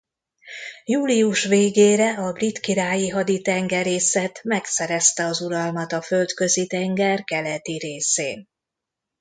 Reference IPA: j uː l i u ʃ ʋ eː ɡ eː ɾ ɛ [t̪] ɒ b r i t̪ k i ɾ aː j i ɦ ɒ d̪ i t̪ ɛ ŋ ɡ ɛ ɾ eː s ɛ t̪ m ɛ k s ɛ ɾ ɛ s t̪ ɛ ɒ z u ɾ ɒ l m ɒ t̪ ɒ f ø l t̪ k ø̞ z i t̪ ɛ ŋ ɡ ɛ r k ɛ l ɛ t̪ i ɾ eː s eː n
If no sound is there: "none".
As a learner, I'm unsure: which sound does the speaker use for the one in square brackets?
none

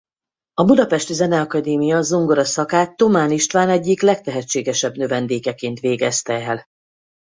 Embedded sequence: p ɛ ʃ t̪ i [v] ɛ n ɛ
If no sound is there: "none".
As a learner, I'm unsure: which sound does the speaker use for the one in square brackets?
z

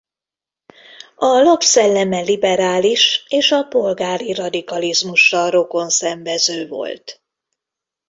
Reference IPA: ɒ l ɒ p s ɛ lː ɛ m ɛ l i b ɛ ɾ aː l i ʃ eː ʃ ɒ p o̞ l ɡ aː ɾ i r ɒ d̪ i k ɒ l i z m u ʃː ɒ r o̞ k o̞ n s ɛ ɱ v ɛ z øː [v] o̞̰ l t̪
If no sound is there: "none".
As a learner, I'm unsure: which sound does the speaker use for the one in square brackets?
v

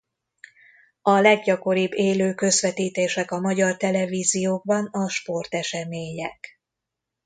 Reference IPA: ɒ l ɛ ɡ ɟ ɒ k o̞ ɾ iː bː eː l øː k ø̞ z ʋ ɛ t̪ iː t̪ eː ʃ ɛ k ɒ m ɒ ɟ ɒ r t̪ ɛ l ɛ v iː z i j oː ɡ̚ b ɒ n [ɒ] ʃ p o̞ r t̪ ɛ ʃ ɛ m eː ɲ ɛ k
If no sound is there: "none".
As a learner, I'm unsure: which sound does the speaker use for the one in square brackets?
ɒ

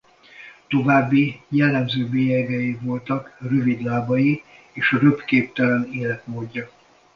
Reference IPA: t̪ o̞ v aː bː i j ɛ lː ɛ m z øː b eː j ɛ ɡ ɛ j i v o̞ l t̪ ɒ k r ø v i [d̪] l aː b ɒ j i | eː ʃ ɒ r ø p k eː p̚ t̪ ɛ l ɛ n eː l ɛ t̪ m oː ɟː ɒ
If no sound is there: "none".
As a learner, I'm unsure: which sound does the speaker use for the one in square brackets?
d̪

